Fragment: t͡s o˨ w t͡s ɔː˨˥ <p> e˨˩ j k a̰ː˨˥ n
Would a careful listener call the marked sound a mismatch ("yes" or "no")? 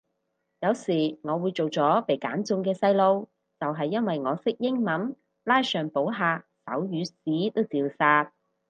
no